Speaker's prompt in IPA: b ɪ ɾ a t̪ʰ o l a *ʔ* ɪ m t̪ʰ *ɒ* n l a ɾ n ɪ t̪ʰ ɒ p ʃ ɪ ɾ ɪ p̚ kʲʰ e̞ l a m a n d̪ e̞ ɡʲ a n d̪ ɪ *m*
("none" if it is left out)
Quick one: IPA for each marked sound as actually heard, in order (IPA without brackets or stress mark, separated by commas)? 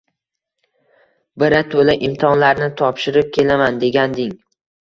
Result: ʔ, ɒ, ŋ